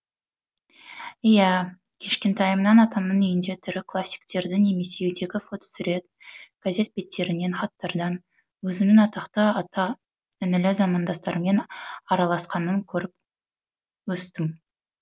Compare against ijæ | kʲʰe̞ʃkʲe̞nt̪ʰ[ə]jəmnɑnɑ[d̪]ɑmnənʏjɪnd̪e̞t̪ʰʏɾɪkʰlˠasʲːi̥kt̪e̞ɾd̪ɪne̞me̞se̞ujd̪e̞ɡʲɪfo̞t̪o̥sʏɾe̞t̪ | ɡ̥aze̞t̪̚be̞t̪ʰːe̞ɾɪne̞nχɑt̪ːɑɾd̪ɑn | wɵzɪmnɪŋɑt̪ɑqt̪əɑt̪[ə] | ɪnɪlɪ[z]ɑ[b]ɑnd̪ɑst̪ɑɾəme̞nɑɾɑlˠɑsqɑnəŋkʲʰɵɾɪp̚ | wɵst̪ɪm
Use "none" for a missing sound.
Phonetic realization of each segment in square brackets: ɑ, t̪, ɑ, z, m

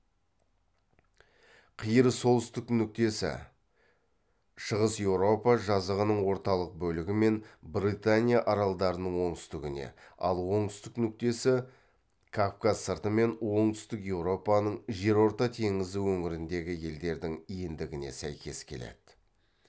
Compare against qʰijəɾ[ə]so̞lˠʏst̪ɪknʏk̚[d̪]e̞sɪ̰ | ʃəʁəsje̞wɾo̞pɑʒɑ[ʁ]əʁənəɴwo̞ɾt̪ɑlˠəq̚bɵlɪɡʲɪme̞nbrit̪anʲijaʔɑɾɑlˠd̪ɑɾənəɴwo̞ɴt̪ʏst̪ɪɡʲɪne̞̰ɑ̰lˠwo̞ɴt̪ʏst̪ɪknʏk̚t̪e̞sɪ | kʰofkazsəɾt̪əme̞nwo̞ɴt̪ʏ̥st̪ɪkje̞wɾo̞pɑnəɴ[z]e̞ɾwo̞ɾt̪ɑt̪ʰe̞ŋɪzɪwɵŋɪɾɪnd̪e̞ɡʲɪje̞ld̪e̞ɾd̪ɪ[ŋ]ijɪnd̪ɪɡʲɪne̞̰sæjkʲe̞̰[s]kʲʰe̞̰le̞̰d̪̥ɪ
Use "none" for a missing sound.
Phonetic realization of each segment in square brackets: ə, t̪, z, ʒ, ŋ, s

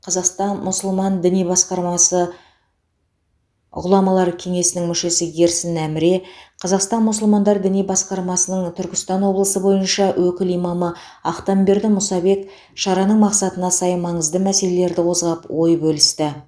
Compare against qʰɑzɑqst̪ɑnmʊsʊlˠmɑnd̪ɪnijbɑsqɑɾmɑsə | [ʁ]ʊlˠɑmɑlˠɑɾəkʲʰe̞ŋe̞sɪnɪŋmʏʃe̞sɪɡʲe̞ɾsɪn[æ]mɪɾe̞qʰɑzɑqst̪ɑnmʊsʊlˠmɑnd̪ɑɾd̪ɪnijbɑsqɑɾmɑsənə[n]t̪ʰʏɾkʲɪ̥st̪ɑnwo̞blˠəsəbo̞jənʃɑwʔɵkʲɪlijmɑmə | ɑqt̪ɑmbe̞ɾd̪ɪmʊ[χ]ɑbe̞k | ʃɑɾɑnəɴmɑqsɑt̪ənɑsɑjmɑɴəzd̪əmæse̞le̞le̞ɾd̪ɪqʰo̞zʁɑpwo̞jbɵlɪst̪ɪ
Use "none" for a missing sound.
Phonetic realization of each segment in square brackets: ʁ, æ, ɴ, s

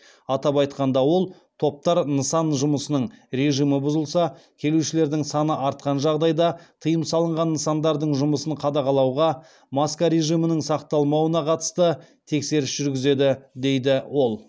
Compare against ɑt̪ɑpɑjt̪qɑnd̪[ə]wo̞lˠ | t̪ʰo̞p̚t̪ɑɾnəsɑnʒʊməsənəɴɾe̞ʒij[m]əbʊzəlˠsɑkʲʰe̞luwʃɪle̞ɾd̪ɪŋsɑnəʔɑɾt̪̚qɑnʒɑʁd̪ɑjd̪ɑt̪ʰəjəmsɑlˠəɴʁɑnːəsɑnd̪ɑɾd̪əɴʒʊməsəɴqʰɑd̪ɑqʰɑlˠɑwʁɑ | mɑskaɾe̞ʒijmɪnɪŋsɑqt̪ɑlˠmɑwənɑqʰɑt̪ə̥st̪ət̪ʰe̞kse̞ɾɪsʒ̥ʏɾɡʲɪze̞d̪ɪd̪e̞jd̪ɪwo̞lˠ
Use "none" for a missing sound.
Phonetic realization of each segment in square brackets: ɑ, m

